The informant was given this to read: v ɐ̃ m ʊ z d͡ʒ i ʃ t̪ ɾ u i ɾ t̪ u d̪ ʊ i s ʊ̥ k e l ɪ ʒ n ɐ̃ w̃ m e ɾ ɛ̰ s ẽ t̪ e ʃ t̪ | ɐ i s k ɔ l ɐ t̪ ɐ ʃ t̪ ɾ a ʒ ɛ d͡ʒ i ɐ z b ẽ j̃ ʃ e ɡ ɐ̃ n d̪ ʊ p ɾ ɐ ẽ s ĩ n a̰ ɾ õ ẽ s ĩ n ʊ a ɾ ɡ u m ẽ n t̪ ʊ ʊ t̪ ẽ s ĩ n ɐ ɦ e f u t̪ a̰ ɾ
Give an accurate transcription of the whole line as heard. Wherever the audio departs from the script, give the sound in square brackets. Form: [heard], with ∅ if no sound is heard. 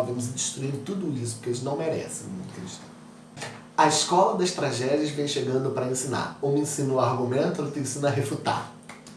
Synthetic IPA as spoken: v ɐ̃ m ʊ z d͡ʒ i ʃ t̪ ɾ u i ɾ t̪ u d̪ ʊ i s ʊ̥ k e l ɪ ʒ n ɐ̃ w̃ m e ɾ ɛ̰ s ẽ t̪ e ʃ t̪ | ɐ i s k ɔ l ɐ [d̪] ɐ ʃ t̪ ɾ a ʒ ɛ d͡ʒ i ɐ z [v] ẽ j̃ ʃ e ɡ ɐ̃ n d̪ ʊ p ɾ ɐ ẽ s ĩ n a̰ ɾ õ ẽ s ĩ n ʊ a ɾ ɡ u m ẽ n t̪ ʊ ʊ t̪ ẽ s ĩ n ɐ ɦ e f u t̪ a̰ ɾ

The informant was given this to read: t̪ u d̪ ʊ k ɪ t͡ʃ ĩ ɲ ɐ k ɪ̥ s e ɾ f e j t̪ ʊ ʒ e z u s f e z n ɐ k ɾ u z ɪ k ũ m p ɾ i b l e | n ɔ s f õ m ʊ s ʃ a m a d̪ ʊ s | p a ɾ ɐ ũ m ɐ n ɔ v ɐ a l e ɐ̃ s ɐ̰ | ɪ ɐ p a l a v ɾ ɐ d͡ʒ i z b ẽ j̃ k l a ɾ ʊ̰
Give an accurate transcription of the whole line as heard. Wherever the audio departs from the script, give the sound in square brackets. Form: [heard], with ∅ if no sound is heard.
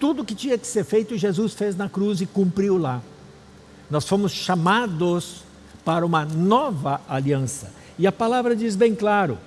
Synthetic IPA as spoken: t̪ u d̪ ʊ k ɪ t͡ʃ ĩ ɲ ɐ k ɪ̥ s e ɾ f e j t̪ ʊ ʒ e z u s f e z n ɐ k ɾ u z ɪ k ũ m p ɾ i [w] l [a] | n ɔ s f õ m ʊ s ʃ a m a d̪ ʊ s | p a ɾ ɐ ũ m ɐ n ɔ v ɐ a l [i] ɐ̃ s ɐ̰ | ɪ ɐ p a l a v ɾ ɐ d͡ʒ i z b ẽ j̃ k l a ɾ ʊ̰

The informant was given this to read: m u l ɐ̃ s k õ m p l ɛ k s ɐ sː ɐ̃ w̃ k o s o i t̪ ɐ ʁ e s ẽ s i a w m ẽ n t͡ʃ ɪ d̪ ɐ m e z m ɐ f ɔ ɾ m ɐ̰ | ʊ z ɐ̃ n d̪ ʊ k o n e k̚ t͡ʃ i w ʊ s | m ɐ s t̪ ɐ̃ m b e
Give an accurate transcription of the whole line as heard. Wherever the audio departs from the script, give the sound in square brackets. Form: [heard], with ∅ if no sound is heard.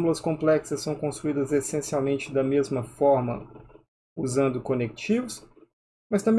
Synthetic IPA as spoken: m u l [ɐ] s k õ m p l ɛ k s ɐ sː ɐ̃ w̃ k [õ] s [u] i [d̪] ɐ [z] e s ẽ s i a w m ẽ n t͡ʃ ɪ d̪ ɐ m e z m ɐ f ɔ ɾ m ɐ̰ | [u] z ɐ̃ n d̪ ʊ k o n e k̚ t͡ʃ i [v] ʊ s | m ɐ s t̪ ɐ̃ m b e

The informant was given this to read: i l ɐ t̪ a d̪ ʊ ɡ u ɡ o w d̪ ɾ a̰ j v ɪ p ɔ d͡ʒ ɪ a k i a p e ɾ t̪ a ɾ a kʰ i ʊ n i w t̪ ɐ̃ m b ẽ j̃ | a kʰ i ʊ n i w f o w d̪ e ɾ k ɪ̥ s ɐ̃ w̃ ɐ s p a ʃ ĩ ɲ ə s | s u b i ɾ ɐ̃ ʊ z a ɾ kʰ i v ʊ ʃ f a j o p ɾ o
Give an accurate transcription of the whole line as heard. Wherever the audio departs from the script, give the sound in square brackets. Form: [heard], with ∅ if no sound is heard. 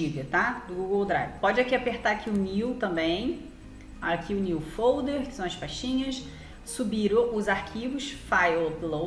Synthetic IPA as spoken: i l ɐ t̪ a d̪ ʊ ɡ u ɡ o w d̪ ɾ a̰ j v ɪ p ɔ d͡ʒ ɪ a k i a p e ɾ t̪ a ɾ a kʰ i ʊ n i w t̪ ɐ̃ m b ẽ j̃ | a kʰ i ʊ n i w f o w d̪ e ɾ k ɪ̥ s ɐ̃ w̃ ɐ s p a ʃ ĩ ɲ [ɐ] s | s u b i ɾ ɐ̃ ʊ z a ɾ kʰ i v ʊ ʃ f a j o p [l] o

